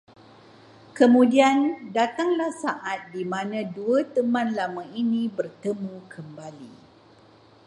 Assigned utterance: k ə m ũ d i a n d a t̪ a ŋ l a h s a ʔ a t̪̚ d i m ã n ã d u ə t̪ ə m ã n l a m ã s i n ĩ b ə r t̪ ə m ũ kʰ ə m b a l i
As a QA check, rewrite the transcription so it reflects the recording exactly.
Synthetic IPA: k ə m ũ d i a n d a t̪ a ŋ l a h s a ʔ a t̪̚ d i m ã n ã d u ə t̪ ə m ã n l a m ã i n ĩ b ə r t̪ ə m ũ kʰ ə m b a l i

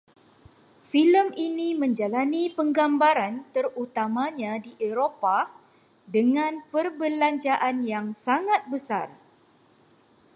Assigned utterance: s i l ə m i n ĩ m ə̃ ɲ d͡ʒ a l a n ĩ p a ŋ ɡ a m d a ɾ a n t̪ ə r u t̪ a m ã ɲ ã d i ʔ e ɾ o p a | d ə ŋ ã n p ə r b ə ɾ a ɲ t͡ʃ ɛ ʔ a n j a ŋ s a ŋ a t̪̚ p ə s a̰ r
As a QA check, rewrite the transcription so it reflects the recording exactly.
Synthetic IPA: f i l ə m i n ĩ m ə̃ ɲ d͡ʒ a l a n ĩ p ə ŋ ɡ a m b a ɾ a n t̪ ə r u t̪ a m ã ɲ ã d i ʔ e ɾ o p a | d ə ŋ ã n p ə r b ə l a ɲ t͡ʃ a ʔ a n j a ŋ s a ŋ a t̪̚ b ə s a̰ r

